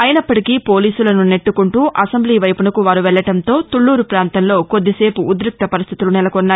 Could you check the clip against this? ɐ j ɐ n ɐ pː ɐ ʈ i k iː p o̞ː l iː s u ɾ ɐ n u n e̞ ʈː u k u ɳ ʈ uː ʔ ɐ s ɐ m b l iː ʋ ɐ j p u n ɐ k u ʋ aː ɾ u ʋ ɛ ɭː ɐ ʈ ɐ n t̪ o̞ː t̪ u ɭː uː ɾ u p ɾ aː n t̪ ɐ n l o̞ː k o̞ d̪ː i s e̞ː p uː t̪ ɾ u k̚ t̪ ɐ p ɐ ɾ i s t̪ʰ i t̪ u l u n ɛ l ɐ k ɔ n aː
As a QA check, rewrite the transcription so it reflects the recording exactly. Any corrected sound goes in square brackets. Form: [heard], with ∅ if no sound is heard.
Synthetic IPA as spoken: ɐ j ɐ n ɐ pː ɐ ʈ i k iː p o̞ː l iː s u [l] ɐ n u n e̞ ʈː u k u ɳ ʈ uː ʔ ɐ s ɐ m b l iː ʋ ɐ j p u n ɐ k u ʋ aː ɾ u ʋ ɛ ɭː ɐ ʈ ɐ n t̪ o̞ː t̪ u ɭː uː ɾ u p ɾ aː n t̪ ɐ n l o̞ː k o̞ d̪ː i s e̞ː p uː [d̪] ɾ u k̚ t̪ ɐ p ɐ ɾ i s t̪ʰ i t̪ u l u n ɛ l ɐ k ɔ [nː] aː